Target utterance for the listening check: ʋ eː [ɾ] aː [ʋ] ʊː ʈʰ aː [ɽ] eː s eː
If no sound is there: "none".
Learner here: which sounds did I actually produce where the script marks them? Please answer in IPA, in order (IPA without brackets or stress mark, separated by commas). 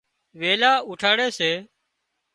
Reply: l, none, ɽ